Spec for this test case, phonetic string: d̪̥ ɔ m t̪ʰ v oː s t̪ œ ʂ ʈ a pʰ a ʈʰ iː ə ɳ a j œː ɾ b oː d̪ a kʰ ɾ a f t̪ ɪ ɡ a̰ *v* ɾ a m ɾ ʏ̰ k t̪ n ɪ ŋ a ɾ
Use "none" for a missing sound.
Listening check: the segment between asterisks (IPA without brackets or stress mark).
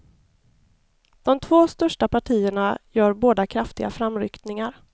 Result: f